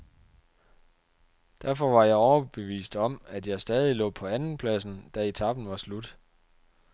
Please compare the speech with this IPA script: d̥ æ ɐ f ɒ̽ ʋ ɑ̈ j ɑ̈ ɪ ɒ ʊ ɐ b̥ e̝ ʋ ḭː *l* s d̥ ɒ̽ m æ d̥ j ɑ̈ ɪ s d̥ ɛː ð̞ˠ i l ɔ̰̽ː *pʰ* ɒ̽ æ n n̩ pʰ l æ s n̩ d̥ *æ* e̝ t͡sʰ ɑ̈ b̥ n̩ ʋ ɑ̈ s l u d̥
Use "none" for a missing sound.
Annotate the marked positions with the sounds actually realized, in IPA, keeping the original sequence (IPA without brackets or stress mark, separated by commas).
none, pʰ, æ